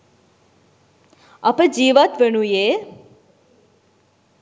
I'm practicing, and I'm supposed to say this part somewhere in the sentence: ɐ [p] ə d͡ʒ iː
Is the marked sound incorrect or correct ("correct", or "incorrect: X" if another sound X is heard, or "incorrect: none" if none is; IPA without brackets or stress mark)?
correct